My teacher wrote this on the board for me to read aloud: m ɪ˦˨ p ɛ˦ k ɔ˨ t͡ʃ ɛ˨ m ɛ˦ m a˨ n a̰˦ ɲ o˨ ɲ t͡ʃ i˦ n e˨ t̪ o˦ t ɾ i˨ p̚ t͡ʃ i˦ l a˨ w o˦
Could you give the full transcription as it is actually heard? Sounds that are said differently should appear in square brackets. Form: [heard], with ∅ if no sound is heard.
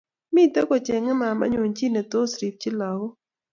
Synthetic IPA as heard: m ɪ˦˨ [t] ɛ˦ k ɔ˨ t͡ʃ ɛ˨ [ŋ] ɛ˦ m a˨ [m] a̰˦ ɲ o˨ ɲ t͡ʃ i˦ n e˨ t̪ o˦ [s] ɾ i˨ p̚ t͡ʃ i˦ l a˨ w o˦